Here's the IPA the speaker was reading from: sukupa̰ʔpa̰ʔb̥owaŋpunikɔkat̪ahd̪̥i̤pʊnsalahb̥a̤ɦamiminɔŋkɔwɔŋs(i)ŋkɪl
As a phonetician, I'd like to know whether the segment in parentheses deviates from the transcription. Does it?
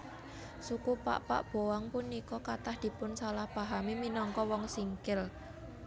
no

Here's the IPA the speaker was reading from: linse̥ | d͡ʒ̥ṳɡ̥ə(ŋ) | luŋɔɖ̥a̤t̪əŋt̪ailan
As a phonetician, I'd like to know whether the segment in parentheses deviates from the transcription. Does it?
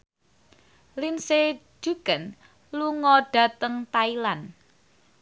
yes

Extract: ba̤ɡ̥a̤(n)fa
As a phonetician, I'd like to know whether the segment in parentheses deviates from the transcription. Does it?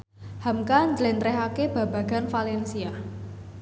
no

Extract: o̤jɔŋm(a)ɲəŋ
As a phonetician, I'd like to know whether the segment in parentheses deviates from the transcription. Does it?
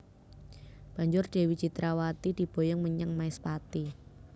yes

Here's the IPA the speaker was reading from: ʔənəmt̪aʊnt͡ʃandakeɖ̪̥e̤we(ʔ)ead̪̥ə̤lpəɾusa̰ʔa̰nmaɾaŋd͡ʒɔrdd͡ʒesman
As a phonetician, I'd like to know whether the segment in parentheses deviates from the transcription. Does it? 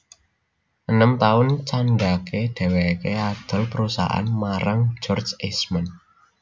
yes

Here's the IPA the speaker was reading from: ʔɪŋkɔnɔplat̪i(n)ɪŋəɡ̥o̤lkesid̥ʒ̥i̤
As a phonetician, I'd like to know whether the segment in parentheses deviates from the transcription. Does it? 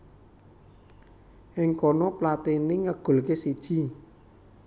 no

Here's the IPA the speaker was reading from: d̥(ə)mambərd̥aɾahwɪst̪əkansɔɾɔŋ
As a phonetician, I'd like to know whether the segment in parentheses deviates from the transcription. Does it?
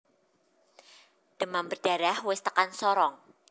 no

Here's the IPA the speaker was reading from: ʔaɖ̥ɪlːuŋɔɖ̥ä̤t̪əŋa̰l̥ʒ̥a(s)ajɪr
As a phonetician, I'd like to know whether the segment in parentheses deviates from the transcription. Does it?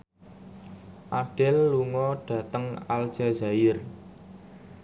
yes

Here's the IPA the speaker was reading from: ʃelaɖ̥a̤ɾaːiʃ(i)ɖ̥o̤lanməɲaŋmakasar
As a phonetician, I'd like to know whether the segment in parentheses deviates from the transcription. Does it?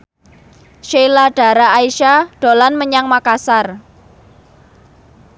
yes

